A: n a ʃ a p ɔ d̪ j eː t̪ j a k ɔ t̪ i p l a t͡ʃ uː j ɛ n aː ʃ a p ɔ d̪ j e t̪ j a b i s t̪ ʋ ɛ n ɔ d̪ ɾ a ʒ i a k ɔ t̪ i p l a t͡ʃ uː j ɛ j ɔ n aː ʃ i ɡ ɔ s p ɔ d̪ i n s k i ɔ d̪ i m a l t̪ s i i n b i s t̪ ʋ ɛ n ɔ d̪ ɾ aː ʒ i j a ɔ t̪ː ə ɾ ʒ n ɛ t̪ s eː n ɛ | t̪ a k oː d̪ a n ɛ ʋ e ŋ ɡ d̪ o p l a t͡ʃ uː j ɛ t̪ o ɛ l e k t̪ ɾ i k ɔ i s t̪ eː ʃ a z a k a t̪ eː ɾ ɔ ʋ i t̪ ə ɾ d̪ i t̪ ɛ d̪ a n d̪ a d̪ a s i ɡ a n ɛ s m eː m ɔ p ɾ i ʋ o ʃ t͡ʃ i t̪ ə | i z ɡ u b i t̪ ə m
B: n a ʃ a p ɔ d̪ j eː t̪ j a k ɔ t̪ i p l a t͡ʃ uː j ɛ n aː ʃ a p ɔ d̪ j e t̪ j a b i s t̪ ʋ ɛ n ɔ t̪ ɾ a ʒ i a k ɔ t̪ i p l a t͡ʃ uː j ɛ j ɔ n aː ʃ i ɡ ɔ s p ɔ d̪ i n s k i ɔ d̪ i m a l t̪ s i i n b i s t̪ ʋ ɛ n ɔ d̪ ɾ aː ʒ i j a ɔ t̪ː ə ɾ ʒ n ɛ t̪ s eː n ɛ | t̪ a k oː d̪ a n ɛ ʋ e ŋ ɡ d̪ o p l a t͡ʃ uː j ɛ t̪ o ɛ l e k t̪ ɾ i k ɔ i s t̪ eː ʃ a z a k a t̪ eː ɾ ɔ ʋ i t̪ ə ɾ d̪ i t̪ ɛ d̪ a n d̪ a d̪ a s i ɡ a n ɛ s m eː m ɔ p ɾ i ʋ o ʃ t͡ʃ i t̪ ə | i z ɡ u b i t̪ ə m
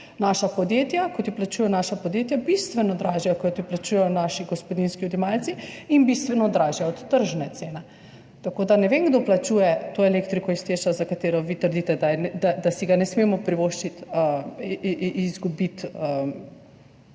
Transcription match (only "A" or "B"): A